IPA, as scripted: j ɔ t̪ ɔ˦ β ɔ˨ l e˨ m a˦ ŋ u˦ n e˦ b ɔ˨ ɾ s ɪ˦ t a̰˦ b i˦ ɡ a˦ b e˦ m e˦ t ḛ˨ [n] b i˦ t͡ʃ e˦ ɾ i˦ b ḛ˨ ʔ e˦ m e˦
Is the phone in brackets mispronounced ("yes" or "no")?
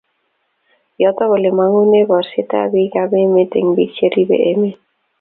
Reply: yes